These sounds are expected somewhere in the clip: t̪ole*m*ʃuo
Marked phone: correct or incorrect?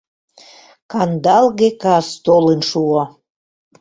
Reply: incorrect